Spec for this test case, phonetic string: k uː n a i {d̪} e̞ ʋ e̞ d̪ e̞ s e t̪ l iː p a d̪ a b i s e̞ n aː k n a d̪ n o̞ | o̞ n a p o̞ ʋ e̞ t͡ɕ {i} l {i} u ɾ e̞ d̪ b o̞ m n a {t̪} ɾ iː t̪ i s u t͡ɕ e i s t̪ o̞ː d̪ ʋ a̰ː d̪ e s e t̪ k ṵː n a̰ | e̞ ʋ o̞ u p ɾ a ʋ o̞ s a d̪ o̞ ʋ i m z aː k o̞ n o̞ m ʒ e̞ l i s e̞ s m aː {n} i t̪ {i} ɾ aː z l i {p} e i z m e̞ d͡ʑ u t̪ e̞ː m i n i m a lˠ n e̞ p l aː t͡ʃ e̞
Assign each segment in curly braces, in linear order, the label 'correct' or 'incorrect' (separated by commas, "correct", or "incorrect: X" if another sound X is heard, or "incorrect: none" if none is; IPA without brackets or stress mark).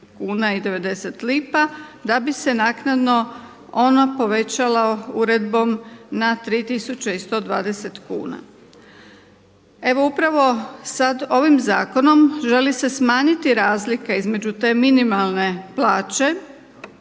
correct, incorrect: a, incorrect: a, correct, incorrect: ɲ, correct, incorrect: k